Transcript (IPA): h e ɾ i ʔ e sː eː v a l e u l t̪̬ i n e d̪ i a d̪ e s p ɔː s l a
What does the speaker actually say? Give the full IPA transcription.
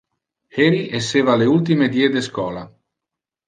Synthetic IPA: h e ɾ i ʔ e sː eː v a l e u l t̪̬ i m e d̪ i e d̪ e s k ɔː l a